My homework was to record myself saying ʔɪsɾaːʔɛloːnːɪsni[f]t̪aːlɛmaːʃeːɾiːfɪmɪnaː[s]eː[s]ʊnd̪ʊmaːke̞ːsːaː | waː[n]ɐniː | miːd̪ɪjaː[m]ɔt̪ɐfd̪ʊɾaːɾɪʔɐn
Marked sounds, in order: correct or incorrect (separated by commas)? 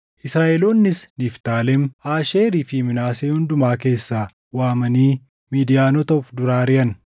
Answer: correct, correct, incorrect, incorrect, incorrect